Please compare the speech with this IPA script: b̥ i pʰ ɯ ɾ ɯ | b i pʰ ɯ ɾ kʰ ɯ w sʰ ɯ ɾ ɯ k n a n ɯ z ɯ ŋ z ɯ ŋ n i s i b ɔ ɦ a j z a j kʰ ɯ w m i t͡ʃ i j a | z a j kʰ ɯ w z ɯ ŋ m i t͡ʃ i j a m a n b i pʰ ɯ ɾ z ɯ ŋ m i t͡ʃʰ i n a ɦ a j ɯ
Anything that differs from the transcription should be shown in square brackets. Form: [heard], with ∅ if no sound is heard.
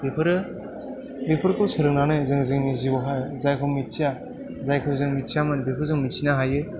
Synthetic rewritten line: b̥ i pʰ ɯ ɾ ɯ | b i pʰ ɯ ɾ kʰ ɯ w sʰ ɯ ɾ ɯ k n a n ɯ z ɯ ŋ z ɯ ŋ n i [z] i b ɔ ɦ a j z a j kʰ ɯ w m i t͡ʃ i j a | z a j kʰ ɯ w z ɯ ŋ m i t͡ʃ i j a m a n b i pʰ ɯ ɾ z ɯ ŋ m i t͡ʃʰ i n a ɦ a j ɯ